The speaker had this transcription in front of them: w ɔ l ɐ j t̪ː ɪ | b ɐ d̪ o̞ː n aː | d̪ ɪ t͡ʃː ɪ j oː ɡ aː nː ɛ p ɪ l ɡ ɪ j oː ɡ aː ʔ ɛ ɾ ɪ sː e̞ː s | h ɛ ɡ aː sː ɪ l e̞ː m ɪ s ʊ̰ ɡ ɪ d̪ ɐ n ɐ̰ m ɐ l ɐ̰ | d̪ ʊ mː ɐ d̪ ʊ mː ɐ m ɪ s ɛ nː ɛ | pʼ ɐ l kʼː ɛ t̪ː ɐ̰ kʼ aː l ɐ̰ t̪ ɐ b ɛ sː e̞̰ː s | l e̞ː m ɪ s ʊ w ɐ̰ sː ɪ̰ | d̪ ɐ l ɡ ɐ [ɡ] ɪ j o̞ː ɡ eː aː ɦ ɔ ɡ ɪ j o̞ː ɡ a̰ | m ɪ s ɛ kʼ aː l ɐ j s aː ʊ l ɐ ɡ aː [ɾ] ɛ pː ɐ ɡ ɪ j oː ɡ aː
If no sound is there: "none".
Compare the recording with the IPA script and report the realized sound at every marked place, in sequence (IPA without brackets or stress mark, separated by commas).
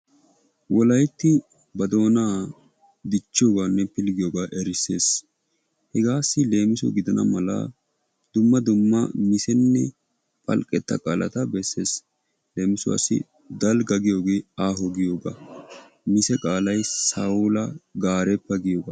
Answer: ɡ, ɾ